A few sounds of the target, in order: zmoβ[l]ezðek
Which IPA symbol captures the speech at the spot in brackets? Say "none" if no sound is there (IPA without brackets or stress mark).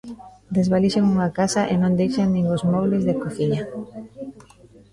l